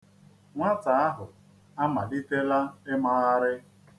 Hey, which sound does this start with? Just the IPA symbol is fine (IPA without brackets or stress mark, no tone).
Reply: ŋʷ